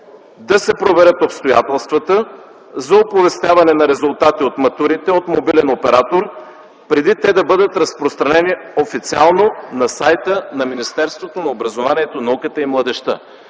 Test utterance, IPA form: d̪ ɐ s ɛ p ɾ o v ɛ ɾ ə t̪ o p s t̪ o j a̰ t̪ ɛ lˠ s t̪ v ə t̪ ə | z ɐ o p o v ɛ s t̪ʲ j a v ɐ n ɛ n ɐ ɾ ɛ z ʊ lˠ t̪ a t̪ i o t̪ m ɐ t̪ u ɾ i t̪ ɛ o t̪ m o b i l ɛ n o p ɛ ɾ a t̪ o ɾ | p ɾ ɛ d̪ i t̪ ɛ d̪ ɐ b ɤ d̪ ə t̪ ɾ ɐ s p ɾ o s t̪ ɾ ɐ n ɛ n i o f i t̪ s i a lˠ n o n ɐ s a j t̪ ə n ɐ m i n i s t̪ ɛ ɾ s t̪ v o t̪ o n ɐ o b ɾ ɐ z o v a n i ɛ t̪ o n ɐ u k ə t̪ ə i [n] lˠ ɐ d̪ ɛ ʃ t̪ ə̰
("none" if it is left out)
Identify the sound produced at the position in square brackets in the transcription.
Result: m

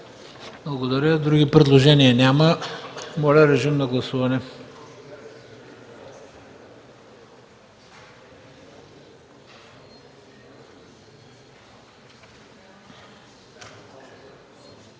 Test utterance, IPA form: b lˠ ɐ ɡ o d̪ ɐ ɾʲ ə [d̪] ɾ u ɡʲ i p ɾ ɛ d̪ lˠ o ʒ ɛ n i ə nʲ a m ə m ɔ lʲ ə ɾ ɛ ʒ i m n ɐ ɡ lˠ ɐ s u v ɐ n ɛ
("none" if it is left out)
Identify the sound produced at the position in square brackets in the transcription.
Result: d̪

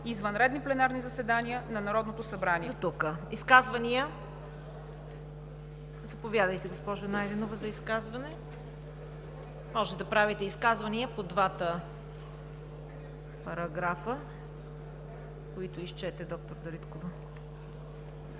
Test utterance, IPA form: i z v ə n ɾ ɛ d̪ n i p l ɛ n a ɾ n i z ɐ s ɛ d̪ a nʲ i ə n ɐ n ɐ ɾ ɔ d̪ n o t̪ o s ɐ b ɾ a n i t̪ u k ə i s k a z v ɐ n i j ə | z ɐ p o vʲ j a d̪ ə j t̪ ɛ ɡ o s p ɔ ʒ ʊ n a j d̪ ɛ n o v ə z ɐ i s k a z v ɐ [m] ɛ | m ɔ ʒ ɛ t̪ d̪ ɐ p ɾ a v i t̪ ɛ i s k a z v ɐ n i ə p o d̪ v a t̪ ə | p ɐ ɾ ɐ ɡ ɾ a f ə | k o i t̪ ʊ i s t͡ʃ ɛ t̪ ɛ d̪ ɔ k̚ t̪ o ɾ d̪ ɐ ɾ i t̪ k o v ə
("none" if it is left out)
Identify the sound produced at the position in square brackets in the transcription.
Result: n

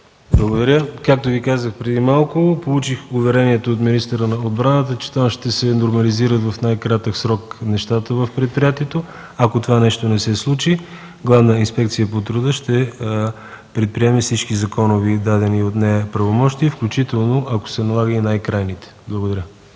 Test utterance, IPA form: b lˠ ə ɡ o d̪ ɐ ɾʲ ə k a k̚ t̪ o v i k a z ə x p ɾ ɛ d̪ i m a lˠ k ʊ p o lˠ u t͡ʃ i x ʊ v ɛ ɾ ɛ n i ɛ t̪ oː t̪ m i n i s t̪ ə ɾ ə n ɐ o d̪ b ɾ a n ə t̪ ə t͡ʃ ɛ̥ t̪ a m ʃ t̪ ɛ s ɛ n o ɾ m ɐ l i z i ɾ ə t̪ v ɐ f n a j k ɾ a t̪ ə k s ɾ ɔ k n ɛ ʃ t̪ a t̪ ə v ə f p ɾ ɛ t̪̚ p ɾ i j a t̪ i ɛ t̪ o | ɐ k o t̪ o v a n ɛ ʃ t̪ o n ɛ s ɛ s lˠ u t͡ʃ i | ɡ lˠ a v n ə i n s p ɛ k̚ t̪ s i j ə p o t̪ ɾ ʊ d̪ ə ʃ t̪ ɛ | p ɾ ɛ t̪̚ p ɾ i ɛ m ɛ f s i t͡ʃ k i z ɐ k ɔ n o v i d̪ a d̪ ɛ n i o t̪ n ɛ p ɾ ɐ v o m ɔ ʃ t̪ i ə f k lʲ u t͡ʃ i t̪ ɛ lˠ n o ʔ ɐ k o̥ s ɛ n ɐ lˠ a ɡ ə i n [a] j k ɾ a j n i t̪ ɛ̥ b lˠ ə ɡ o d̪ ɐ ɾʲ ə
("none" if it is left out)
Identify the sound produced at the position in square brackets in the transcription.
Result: a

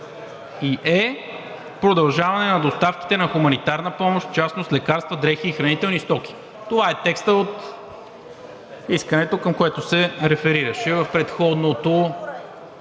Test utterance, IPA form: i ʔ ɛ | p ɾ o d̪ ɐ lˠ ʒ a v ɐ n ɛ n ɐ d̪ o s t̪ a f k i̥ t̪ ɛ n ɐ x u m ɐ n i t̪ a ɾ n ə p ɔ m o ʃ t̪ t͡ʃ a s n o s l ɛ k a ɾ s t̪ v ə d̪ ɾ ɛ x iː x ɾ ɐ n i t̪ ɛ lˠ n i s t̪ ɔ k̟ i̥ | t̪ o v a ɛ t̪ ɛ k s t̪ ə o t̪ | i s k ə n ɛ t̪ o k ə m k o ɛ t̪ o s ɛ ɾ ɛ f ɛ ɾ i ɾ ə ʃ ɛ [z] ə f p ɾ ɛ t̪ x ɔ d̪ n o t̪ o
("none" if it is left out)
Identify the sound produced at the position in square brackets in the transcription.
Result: v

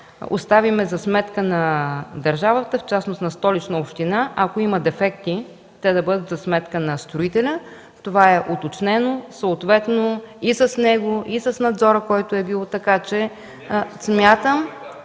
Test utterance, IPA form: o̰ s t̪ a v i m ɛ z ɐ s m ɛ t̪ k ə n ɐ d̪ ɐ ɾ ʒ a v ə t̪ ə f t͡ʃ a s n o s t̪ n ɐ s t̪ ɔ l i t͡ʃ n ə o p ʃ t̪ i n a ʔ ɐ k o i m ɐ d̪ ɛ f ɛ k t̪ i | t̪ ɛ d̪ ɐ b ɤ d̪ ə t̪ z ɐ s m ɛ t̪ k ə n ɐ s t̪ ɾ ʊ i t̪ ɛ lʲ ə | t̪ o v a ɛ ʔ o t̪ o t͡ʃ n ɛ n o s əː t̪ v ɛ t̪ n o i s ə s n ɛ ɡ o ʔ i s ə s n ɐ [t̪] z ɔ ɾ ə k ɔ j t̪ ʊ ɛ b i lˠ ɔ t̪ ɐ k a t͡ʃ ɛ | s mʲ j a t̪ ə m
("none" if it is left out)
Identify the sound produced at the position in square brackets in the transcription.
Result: d̪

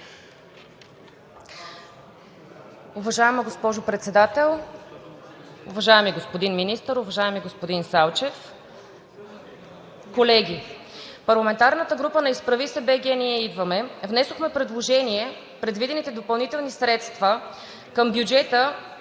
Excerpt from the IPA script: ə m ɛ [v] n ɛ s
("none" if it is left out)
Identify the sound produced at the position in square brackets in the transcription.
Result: v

